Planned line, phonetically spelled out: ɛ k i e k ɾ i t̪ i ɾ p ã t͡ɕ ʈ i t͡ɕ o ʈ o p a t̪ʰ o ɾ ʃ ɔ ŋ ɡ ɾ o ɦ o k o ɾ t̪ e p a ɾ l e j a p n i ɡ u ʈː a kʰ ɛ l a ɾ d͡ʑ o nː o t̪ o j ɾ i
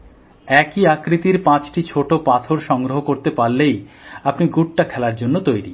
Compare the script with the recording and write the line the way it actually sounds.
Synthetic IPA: ɛ k i a k ɾ i t̪ i ɾ p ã t͡ɕ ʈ i t͡ɕʰ o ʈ o p a t̪ʰ o ɾ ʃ ɔ ŋ ɡ ɾ o ɦ o k o ɾ t̪ e p a ɾ l e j a p n i ɡ u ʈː a kʰ ɛ l a ɾ d͡ʑ o nː o t̪ o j ɾ i